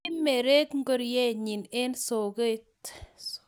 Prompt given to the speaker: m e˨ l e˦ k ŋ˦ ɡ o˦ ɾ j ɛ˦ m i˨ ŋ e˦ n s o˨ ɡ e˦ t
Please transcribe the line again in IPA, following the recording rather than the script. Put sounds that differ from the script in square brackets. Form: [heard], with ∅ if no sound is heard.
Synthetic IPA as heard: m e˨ [ɾ] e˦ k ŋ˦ ɡ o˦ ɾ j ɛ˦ [ɲ] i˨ [n] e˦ n s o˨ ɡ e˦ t

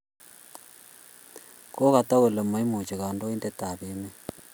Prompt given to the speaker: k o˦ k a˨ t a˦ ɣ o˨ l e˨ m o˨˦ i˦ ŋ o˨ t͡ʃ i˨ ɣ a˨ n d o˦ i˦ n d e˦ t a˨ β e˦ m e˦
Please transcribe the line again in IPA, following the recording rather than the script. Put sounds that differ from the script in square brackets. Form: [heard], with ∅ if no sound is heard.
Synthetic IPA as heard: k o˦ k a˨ t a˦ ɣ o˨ l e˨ m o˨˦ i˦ [m] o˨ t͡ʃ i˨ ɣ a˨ n d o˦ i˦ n d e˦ t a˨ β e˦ m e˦

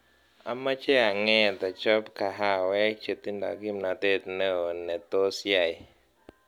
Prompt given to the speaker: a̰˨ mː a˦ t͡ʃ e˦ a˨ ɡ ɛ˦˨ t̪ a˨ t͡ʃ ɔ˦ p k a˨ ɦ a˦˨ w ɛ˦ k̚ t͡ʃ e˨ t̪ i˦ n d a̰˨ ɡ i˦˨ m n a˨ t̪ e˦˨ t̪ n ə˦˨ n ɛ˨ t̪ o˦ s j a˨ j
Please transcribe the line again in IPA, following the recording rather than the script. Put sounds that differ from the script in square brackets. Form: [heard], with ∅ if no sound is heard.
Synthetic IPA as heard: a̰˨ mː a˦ t͡ʃ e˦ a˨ [ŋ] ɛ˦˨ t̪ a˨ t͡ʃ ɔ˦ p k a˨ ɦ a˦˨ w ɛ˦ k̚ t͡ʃ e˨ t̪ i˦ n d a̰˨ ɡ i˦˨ m n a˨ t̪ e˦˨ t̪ n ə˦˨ n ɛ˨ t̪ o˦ s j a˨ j

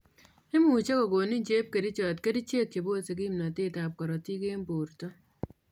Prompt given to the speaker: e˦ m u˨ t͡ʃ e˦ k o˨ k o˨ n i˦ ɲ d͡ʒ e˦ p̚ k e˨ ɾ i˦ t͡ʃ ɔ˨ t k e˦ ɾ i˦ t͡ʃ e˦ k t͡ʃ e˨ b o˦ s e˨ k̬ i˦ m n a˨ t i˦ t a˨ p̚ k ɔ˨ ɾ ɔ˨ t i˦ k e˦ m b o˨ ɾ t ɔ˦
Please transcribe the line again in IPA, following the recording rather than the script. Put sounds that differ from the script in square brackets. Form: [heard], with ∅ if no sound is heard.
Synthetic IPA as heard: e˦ m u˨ t͡ʃ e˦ k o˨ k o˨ n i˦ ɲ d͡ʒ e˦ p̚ k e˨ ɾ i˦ t͡ʃ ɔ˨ t k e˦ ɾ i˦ t͡ʃ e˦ k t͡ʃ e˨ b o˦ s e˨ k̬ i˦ m n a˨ t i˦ t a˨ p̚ k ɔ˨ ɾ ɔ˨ t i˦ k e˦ m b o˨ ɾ t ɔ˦

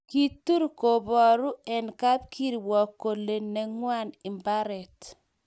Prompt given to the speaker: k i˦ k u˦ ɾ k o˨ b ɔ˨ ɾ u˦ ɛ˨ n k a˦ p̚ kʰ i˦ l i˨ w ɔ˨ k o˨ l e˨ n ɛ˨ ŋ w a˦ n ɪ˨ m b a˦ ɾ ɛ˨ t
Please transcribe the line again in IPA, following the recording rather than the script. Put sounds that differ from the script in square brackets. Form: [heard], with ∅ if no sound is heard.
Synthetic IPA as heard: k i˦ [t] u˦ ɾ k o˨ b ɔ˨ ɾ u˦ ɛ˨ n k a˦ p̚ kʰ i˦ [ɾ] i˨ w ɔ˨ k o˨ l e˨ n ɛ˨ ŋ w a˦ n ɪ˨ m b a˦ ɾ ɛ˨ t

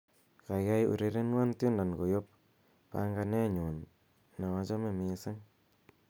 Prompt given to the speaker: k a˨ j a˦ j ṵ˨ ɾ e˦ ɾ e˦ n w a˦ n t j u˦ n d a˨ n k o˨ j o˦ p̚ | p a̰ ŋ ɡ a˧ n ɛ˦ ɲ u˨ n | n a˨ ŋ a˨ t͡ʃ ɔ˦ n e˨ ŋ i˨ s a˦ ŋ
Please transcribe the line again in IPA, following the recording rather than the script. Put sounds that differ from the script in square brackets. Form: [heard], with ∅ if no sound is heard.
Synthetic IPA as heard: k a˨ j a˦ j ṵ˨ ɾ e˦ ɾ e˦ n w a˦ n t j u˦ n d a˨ n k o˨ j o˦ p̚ | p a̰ ŋ ɡ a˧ n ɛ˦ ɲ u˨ n | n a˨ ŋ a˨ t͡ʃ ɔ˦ [m] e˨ [m] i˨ s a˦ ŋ

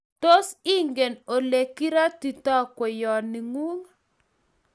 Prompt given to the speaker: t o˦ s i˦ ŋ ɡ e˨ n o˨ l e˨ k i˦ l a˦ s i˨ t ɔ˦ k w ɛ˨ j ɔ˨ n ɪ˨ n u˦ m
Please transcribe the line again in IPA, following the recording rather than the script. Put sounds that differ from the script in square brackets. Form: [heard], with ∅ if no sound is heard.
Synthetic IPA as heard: t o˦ s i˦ ŋ ɡ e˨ n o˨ l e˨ k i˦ [ɾ] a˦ [t] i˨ t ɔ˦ k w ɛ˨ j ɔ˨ n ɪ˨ [ŋ] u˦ [ŋ]

